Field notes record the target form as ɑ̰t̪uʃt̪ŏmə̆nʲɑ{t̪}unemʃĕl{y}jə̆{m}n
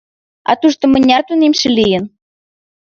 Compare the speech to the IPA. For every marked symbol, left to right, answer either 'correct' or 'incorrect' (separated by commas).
correct, incorrect, incorrect